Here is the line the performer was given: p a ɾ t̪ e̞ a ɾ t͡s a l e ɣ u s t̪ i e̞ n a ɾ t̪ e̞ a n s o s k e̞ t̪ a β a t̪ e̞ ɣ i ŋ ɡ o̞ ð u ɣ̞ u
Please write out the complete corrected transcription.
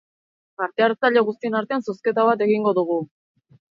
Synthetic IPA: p a ɾ t̪ e̞ a ɾ t͡s a ʎ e ɣ u s t̪ i e̞ n a ɾ t̪ e̞ a n s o s k e̞ t̪ a β a t̪ e̞ ɣ i ŋ ɡ o̞ ð u ɣ̞ u